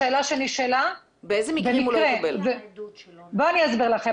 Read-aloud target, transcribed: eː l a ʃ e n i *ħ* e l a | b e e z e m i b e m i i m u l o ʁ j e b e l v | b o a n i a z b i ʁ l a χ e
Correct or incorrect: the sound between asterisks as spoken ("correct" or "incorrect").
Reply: incorrect